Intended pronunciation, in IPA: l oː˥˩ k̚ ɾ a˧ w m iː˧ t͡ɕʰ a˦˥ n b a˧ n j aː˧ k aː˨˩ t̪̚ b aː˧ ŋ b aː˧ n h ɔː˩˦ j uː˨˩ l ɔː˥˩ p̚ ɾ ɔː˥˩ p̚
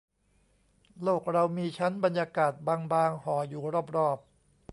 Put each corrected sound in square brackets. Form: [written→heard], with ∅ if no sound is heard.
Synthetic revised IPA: l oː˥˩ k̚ ɾ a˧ w m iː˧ t͡ɕʰ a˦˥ n b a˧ n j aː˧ k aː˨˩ t̪̚ b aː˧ ŋ b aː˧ [n→ŋ] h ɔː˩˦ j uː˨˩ [l→ɾ] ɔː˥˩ p̚ ɾ ɔː˥˩ p̚